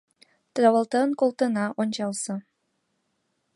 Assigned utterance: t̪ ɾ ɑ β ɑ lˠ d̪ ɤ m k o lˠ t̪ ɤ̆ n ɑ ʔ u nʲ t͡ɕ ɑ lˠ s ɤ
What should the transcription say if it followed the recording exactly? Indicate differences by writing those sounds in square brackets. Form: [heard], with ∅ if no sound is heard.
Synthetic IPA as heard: t̪ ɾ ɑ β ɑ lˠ [t̪] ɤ [n] k o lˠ t̪ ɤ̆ n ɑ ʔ [o] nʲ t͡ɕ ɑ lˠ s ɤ